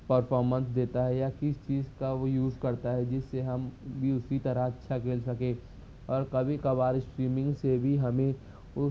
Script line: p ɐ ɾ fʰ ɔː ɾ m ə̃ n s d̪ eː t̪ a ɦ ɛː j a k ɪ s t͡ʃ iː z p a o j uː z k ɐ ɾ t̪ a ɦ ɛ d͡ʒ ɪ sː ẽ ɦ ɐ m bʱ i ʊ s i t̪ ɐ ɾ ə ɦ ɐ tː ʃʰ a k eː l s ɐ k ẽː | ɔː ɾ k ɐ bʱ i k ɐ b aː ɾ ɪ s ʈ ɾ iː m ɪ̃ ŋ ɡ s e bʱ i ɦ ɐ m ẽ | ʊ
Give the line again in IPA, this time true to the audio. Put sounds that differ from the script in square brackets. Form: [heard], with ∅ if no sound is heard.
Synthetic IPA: p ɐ ɾ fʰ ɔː ɾ m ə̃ n s d̪ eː t̪ a ɦ [ɛ] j a k ɪ s t͡ʃ iː z [k] a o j uː z k ɐ ɾ t̪ a ɦ ɛ d͡ʒ ɪ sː [e] ɦ ɐ m bʱ i ʊ s i t̪ ɐ ɾ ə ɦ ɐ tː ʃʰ a k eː l s ɐ k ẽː | ɔː ɾ k ɐ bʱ i k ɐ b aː ɾ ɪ s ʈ ɾ iː m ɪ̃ ŋ ɡ s e bʱ i ɦ ɐ m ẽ | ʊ